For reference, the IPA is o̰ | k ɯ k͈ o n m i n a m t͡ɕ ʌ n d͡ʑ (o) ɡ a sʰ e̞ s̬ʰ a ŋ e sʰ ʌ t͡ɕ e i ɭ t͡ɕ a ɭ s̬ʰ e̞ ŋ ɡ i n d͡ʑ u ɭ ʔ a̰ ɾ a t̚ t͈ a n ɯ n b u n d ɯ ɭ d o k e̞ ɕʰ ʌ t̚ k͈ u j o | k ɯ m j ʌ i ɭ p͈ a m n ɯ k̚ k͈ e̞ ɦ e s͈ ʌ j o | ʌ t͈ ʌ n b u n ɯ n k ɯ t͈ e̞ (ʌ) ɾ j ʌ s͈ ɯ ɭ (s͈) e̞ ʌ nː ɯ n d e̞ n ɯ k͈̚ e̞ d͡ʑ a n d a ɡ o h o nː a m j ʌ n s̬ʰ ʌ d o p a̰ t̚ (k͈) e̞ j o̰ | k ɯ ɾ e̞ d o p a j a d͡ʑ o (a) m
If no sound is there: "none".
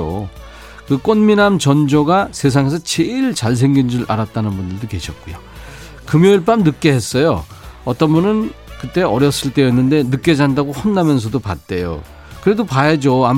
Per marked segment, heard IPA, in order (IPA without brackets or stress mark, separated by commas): o, ʌ, t͈, t͈, a